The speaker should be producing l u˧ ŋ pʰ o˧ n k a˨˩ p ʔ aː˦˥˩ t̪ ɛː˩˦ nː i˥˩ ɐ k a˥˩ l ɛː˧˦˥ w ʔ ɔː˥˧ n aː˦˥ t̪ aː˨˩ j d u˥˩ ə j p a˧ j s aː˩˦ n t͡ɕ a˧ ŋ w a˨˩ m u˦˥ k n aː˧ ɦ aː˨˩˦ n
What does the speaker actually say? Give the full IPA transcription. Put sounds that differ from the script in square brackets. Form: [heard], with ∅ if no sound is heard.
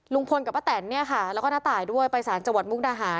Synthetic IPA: l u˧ ŋ pʰ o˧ n k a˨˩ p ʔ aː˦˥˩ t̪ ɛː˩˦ nː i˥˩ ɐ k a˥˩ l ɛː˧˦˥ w [k] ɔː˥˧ n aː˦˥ t̪ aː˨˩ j d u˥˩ ə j p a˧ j s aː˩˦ n t͡ɕ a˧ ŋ w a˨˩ m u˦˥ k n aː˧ ɦ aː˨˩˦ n

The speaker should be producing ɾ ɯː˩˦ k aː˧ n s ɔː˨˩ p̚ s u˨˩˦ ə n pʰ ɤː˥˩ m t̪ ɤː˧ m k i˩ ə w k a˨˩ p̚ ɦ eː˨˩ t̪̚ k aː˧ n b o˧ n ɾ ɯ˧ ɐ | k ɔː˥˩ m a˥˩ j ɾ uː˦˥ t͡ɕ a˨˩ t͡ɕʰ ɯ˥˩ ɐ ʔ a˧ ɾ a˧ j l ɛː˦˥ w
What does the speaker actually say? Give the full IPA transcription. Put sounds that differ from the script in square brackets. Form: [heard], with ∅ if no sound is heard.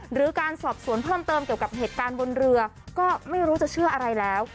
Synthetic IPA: ɾ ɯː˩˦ k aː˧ n s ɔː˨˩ p̚ s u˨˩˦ ə n pʰ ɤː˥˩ m t̪ ɤː˧ m k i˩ ə w k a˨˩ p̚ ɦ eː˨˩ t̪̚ k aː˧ n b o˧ n ɾ ɯ˧ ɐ | k ɔː˥˩ m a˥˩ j ɾ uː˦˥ t͡ɕ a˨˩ t͡ɕʰ ɯ˥˩ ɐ ʔ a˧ ɾ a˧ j l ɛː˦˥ w

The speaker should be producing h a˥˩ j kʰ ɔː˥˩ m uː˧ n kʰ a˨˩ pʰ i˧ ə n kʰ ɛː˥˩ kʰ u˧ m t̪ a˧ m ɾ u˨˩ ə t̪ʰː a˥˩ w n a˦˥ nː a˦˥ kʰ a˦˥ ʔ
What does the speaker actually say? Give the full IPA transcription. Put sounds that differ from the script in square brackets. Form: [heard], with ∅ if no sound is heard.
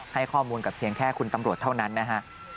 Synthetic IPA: h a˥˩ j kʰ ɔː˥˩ m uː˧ n [k] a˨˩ pʰ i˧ ə [ŋ] kʰ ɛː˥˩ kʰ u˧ [n] t̪ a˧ m ɾ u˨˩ ə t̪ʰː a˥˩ w n a˦˥ nː a˦˥ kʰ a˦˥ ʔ

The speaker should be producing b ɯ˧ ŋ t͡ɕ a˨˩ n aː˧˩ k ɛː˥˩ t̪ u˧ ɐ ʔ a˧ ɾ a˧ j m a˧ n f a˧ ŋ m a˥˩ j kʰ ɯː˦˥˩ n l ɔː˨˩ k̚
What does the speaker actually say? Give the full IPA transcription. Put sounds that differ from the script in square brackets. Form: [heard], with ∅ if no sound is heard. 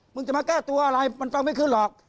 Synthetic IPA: [m] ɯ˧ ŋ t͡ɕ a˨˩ [m] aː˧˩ k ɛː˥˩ t̪ u˧ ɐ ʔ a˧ ɾ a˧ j m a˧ n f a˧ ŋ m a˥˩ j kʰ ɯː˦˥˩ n l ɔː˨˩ k̚

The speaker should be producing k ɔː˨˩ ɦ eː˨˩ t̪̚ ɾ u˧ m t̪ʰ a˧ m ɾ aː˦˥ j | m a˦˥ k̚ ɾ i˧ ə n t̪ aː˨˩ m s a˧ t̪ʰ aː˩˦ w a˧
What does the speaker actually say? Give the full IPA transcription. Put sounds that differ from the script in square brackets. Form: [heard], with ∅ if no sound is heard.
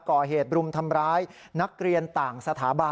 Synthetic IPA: k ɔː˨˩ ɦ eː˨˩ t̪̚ ɾ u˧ m t̪ʰ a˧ m ɾ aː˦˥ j | [n] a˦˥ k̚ ɾ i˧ ə n t̪ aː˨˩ [ŋ] s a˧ t̪ʰ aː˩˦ [b] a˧

